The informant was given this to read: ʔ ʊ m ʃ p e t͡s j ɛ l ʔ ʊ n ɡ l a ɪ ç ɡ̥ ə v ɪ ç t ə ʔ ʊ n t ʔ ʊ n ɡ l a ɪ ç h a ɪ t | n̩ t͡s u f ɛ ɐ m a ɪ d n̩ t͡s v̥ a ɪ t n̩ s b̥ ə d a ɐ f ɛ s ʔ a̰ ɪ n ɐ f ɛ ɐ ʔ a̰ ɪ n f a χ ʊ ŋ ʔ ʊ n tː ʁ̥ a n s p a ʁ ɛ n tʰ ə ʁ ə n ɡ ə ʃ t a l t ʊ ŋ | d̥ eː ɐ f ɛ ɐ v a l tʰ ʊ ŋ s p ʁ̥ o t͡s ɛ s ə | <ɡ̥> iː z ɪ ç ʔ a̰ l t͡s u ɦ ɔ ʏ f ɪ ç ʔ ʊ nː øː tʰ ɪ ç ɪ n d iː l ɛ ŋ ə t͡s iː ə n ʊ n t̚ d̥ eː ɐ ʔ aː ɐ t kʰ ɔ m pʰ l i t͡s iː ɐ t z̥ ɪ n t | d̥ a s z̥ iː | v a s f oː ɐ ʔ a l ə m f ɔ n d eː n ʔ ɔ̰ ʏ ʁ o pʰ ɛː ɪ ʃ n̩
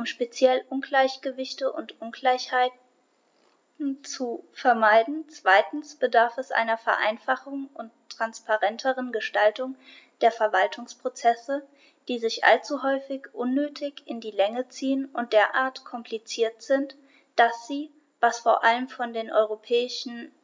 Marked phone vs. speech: incorrect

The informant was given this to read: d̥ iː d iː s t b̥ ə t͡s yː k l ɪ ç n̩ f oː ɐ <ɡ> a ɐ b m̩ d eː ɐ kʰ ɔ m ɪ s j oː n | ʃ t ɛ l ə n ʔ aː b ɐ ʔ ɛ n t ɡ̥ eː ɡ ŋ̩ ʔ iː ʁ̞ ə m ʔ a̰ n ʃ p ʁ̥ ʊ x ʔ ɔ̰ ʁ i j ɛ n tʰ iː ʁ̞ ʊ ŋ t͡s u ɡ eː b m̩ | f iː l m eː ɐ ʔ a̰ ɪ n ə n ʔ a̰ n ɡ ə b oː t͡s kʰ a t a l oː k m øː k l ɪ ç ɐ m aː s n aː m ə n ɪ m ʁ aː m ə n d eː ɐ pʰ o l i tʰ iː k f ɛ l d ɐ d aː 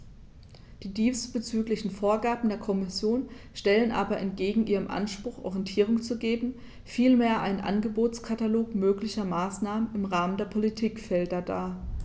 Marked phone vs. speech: correct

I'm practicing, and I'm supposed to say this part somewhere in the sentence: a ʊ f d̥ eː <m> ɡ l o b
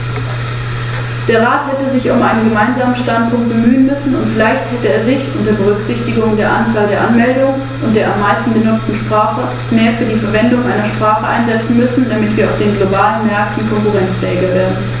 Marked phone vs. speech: incorrect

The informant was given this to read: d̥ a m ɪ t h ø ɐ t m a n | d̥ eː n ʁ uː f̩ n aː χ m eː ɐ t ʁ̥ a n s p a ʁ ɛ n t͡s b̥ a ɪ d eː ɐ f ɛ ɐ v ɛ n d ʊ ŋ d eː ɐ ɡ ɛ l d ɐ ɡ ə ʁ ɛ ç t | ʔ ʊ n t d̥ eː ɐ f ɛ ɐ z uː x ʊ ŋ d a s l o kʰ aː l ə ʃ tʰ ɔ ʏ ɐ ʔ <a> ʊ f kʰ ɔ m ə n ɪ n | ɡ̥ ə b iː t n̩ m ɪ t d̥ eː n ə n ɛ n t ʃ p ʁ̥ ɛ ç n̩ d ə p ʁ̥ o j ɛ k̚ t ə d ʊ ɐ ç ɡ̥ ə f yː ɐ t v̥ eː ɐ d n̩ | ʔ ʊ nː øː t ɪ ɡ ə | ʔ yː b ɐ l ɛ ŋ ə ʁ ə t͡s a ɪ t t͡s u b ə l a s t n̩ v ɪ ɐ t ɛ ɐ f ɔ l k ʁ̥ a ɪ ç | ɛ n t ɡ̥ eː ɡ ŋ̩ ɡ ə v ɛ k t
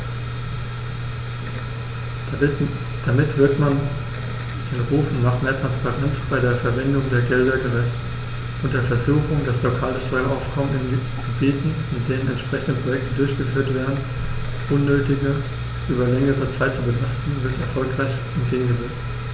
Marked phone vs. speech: correct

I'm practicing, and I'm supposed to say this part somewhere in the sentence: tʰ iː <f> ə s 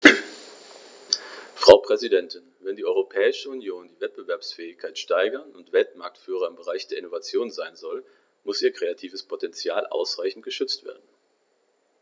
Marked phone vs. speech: incorrect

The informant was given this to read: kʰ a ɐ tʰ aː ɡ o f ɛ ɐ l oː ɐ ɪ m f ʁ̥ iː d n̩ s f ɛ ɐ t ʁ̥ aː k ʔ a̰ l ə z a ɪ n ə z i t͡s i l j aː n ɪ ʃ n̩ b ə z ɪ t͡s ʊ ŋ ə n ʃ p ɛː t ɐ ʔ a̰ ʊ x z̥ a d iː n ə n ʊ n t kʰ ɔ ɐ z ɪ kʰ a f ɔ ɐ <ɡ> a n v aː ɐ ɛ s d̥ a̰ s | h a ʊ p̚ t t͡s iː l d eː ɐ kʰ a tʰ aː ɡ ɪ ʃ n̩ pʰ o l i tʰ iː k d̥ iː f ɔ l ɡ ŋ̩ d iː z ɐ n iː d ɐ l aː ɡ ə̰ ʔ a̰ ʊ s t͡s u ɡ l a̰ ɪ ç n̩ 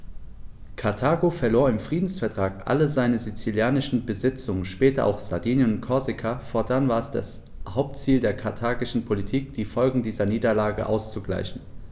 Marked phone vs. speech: incorrect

